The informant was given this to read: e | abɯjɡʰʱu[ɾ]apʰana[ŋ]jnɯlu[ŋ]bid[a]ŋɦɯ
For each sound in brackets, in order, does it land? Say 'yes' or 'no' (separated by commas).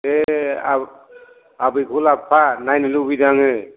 no, no, no, yes